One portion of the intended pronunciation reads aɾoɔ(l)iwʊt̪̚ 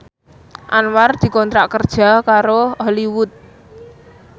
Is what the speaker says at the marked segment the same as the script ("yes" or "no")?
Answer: yes